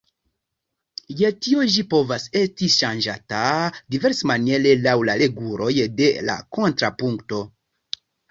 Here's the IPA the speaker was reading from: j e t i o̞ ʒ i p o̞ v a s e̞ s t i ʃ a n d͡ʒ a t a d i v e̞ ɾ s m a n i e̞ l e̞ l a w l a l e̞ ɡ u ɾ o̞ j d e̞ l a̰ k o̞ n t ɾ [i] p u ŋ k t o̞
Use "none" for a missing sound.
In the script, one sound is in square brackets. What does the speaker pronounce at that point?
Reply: a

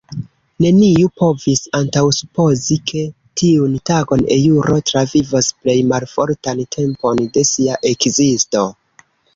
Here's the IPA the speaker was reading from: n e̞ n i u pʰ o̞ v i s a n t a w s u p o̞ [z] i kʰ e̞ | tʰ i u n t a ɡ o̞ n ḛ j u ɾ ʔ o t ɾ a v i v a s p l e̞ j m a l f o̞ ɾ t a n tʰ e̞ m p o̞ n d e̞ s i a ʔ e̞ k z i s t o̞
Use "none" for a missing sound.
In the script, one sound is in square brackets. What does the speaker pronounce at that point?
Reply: z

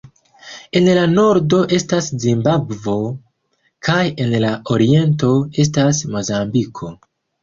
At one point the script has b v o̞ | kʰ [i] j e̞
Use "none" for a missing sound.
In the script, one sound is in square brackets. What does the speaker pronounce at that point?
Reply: a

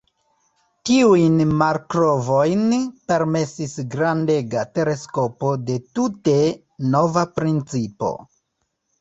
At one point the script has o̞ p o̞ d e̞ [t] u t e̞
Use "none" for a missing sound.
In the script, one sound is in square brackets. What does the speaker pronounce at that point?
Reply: t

